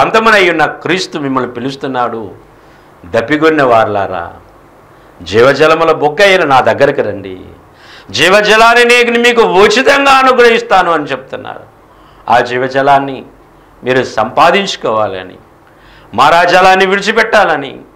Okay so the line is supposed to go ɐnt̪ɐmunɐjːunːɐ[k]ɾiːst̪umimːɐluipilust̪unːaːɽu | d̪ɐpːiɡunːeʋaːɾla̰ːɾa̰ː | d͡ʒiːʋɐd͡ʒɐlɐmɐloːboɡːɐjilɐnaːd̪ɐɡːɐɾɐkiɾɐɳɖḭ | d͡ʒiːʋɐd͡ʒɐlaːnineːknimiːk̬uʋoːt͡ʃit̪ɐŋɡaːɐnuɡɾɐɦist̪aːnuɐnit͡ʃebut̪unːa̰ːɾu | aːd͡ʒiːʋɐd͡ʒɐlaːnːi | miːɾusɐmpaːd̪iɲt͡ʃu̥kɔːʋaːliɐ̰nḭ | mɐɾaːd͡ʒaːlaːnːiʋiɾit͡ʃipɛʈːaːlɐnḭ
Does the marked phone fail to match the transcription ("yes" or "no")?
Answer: no